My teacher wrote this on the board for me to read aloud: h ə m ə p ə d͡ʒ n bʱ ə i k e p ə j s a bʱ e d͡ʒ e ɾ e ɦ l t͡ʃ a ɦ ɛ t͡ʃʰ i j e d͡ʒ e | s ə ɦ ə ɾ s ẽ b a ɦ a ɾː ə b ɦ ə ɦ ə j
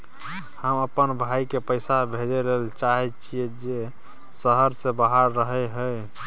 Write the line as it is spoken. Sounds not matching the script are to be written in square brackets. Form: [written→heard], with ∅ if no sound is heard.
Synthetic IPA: h ə m ə p ə [d͡ʒ→∅] n bʱ [ə→a] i k e p ə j s a bʱ e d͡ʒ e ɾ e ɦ l t͡ʃ a ɦ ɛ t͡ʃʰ i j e d͡ʒ e | s ə ɦ ə ɾ s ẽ b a ɦ a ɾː ə [b→∅] ɦ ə ɦ ə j